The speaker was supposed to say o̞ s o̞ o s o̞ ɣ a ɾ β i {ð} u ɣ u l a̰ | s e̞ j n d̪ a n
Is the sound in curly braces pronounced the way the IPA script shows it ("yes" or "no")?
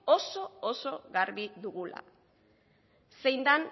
yes